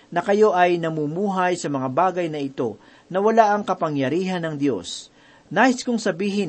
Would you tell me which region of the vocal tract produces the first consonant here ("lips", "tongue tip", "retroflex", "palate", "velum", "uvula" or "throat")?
tongue tip